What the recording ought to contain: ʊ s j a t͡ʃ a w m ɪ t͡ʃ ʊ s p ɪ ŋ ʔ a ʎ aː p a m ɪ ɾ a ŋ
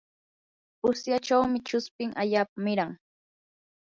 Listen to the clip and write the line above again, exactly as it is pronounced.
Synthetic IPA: ʊ s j a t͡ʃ a w m ɪ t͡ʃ ʊ s p ɪ ŋ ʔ a ʎ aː p a m ɪ ɾ a ŋ

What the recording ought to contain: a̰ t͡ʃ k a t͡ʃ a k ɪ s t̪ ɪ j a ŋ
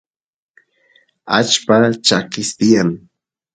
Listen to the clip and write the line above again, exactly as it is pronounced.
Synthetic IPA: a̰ t͡ʃ p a t͡ʃ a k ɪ s t̪ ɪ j a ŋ

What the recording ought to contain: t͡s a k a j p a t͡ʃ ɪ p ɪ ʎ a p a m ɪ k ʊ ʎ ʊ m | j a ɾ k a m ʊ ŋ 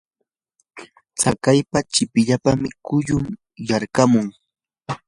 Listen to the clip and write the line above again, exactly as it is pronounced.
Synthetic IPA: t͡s a k a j p a t͡ʃ ɪ p ɪ ʎ a p a m ɪ k ʊ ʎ ʊ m | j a ɾ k a m ʊ ŋ

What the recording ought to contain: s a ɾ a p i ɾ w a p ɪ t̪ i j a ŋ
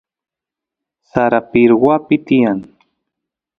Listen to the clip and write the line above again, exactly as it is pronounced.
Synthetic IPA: s a ɾ a p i ɾ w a p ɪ t̪ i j a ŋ

